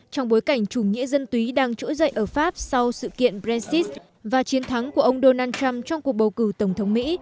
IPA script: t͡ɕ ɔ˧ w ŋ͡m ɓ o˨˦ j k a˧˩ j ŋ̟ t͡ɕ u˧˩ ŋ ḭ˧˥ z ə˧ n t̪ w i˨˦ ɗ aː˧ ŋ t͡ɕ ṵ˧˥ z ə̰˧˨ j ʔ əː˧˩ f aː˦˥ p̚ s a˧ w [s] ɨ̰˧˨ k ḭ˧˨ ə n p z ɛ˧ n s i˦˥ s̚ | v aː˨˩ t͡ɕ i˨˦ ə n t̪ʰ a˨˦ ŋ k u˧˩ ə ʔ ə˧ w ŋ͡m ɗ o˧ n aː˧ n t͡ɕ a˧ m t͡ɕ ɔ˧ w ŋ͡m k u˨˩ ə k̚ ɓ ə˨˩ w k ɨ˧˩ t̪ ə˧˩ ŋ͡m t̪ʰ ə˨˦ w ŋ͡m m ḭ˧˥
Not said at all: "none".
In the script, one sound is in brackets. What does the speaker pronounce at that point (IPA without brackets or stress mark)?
s